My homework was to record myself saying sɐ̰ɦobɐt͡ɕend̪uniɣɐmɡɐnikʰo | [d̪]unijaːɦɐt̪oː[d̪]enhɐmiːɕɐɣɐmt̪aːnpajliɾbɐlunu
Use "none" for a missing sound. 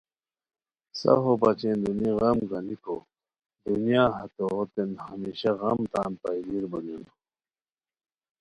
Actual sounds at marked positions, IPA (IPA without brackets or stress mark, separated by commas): d̪, t̪